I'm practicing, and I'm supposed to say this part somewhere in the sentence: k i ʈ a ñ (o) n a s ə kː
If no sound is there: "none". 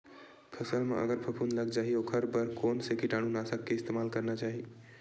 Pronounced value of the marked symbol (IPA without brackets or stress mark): u